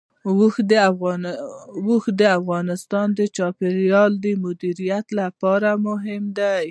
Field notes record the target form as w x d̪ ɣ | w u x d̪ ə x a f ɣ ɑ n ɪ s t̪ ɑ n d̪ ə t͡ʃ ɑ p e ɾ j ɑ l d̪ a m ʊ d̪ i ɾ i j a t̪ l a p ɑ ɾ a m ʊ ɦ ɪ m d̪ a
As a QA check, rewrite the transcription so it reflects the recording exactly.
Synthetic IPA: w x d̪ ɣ | w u x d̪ ə a f ɣ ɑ n ɪ s t̪ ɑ n d̪ ə t͡ʃ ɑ p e ɾ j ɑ l d̪ ə m ʊ d̪ i ɾ i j a t̪ l a p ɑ ɾ a m ʊ ɦ ɪ m d̪ a